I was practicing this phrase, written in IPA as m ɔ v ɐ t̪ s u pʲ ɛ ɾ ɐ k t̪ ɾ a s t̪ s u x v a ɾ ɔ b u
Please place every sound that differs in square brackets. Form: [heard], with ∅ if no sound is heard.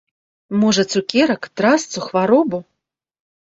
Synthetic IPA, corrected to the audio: m ɔ [ʐ] ɐ t̪ s u [kʲ] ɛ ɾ ɐ k t̪ ɾ a s t̪ s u x v a ɾ ɔ b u